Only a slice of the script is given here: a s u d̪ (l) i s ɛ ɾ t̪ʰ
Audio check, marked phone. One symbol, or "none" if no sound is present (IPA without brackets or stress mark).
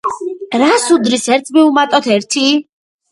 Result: ɾ